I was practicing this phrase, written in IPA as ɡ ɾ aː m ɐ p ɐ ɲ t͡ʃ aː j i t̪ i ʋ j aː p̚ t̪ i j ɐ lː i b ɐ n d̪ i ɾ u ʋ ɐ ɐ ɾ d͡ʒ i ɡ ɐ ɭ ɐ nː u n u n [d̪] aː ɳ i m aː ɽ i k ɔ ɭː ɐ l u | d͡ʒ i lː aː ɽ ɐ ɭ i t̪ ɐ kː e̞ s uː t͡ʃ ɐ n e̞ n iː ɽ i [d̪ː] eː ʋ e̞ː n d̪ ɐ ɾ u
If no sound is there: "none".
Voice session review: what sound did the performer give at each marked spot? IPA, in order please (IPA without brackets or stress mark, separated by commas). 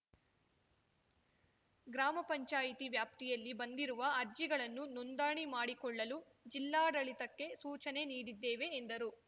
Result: d̪, d̪ː